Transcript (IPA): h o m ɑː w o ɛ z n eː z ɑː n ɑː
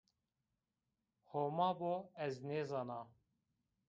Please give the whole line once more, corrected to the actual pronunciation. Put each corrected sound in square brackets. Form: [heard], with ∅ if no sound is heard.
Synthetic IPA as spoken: h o m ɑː [b] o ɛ z n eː z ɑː n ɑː